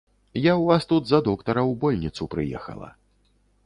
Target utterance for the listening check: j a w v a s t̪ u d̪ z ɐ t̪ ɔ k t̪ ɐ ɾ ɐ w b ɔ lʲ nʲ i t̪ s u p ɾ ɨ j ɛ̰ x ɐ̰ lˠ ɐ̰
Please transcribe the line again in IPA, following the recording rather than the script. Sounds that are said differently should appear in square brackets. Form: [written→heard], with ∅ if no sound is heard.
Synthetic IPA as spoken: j a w v a s t̪ u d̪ z ɐ [t̪→d̪] ɔ k t̪ ɐ ɾ ɐ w b ɔ lʲ nʲ i t̪ s u p ɾ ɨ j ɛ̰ x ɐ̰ lˠ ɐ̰